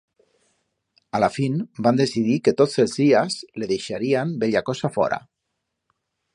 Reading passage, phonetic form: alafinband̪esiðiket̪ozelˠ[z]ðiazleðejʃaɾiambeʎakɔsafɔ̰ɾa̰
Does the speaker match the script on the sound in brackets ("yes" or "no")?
yes